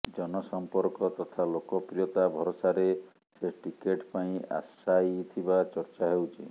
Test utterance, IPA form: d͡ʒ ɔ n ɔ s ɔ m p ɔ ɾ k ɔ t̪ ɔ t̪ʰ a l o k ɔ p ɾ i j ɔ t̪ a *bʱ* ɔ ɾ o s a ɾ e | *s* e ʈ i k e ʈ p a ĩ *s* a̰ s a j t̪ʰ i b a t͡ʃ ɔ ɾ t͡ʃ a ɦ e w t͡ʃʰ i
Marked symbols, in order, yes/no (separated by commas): yes, yes, no